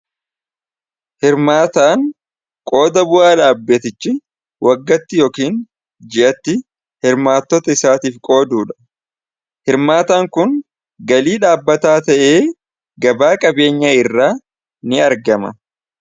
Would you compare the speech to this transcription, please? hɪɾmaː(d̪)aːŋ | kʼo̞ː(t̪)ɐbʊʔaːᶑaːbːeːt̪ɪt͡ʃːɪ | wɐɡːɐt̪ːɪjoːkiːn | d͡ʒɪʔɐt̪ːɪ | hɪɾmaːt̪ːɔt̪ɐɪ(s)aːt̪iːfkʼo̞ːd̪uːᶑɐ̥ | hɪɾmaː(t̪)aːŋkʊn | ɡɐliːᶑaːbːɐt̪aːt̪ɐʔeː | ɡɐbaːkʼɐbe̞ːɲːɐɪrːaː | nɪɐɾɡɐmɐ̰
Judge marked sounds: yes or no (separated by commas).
no, no, yes, yes